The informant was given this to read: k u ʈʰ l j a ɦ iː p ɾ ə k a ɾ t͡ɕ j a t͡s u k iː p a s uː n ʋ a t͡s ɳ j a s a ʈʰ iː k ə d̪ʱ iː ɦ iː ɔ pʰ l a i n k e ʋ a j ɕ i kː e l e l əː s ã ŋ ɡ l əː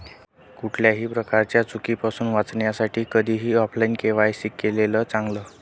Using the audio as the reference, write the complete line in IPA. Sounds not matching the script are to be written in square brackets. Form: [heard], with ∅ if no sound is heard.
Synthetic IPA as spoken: k u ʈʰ l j a ɦ iː p ɾ ə k a ɾ t͡ɕ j a t͡s u k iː p a s uː n ʋ a t͡s ɳ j a s a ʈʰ iː k ə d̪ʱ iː ɦ iː ɔ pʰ l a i n k e ʋ a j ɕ i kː e l e l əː [t͡s] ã ŋ ɡ l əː